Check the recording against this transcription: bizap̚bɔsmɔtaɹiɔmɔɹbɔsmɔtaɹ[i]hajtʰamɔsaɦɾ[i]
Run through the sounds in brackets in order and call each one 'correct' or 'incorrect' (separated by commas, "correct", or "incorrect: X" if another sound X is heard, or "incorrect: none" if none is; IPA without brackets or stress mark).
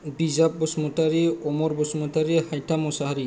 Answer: correct, correct